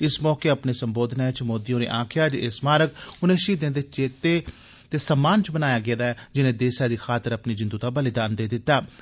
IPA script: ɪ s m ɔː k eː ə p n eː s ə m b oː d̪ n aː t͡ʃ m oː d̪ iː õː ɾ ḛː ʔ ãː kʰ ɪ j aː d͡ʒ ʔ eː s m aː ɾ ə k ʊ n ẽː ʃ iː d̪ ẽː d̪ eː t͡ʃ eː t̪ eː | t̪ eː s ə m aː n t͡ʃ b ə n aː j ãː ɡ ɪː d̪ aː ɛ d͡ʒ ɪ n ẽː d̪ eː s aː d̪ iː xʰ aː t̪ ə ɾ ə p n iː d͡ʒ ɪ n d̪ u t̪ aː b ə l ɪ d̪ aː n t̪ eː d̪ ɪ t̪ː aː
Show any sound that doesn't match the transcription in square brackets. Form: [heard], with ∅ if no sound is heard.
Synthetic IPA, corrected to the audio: ɪ s m ɔː k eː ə p n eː s ə m b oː d̪ n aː t͡ʃ m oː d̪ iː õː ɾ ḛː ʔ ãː kʰ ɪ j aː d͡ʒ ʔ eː s m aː ɾ ə k ʊ n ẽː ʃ iː d̪ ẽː d̪ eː t͡ʃ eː t̪ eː | t̪ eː s ə m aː n t͡ʃ b ə n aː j [aː] ɡ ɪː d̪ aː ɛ d͡ʒ ɪ n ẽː d̪ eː s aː d̪ iː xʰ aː t̪ ə ɾ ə p n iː d͡ʒ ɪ n d̪ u t̪ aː b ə l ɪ d̪ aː n [d̪] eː d̪ ɪ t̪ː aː